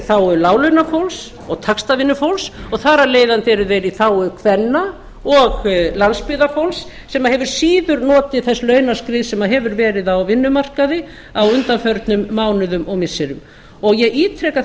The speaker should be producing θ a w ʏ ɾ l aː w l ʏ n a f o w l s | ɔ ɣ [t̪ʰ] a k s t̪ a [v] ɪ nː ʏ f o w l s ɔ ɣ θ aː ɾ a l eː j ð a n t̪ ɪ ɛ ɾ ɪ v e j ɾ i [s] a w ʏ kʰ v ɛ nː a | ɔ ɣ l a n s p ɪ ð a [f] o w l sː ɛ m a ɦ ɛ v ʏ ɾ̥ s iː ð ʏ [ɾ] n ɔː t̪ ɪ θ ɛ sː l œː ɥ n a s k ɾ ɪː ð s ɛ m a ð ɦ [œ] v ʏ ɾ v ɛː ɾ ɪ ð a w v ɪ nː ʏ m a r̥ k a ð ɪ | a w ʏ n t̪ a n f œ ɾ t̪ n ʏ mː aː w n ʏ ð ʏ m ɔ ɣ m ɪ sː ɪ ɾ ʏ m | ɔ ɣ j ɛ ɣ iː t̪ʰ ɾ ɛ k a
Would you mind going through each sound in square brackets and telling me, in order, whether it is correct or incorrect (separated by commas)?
correct, correct, incorrect, correct, correct, incorrect